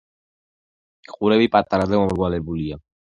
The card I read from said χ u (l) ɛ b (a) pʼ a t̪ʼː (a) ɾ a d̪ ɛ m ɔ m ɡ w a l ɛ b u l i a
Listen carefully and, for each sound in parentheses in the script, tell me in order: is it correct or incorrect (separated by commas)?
incorrect, incorrect, correct